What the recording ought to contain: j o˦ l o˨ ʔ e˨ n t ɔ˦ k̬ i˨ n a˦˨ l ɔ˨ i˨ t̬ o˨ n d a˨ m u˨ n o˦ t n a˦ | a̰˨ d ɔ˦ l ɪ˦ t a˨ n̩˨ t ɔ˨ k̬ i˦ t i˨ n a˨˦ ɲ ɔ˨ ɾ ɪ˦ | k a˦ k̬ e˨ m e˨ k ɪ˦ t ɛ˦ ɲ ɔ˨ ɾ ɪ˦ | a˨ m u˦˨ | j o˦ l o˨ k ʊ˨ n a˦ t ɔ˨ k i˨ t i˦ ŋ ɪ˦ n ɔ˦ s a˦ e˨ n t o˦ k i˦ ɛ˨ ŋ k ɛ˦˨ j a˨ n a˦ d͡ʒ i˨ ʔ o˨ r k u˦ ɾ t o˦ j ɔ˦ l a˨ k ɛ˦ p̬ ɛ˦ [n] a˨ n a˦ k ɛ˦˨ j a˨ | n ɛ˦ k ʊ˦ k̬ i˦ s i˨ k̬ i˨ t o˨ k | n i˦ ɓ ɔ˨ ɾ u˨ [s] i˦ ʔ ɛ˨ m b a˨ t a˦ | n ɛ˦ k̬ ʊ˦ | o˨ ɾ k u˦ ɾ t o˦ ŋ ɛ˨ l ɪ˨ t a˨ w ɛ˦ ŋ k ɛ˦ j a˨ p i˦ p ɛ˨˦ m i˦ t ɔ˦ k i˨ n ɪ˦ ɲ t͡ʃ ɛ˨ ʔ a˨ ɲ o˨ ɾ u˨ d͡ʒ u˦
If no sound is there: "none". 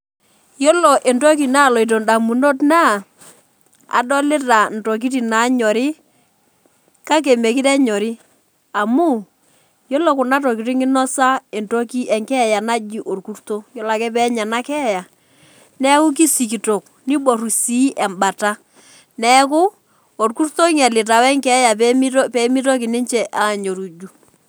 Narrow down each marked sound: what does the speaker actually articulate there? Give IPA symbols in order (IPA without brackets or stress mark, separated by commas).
ɲ, s